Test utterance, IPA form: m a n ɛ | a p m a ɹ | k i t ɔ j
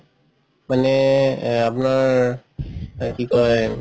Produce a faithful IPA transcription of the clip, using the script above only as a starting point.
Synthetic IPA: m a n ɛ | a p n a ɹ | k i k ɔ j